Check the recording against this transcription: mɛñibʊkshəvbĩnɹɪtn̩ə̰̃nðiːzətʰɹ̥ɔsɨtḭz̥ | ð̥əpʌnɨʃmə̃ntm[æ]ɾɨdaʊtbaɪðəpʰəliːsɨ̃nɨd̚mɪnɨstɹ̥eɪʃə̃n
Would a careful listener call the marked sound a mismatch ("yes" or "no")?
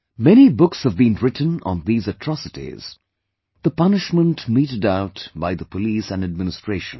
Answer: yes